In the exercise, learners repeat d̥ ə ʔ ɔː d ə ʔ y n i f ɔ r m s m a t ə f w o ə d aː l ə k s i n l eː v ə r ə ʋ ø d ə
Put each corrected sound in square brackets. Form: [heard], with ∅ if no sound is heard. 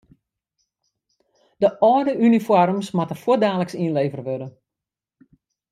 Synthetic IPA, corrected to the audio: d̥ ə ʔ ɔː d ə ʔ y n i f ɔ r m s m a t ə f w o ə d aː l ə k s i n l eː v ə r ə ʋ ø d ə